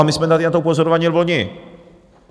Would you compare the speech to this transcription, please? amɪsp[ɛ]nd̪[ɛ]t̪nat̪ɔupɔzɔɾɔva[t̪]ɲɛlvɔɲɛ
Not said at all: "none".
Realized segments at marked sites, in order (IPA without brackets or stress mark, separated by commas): ɛ, a, none